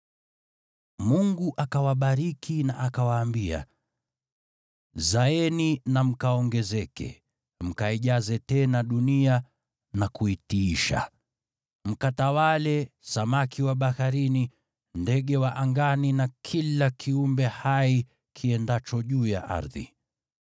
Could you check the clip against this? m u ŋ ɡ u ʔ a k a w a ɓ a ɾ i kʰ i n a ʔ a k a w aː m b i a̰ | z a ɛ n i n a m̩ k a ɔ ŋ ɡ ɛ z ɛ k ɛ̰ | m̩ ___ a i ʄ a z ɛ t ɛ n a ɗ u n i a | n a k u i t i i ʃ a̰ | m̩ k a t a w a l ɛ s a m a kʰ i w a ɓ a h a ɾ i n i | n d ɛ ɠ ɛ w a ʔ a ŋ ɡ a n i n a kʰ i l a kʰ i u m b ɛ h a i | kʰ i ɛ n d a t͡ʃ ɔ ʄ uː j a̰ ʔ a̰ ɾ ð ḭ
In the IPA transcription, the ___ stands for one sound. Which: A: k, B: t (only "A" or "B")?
A